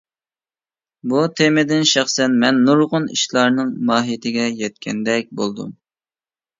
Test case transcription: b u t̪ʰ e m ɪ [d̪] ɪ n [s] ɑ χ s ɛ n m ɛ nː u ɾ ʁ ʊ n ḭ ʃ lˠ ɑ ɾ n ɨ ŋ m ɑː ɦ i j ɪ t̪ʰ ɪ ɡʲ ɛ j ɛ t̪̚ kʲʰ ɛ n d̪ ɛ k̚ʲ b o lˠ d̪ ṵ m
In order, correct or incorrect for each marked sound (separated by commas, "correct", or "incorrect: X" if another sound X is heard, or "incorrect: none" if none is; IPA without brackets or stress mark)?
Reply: correct, incorrect: ʃ